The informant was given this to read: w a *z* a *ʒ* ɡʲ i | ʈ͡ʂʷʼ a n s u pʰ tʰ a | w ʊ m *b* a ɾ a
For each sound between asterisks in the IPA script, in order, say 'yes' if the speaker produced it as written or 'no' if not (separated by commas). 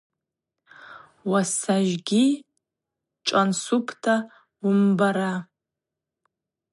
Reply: no, yes, yes